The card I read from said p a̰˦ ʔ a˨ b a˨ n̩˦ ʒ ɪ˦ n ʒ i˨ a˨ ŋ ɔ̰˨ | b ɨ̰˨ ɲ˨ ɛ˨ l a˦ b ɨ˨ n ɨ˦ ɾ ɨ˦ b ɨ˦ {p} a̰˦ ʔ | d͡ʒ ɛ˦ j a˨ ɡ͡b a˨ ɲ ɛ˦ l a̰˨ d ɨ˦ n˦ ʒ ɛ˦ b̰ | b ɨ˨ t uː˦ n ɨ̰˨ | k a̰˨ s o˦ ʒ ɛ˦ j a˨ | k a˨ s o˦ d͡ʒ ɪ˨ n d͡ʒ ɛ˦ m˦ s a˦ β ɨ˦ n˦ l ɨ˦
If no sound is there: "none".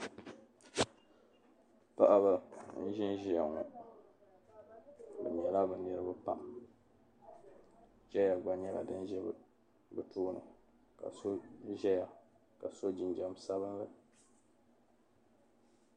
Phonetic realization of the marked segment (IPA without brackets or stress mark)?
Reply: p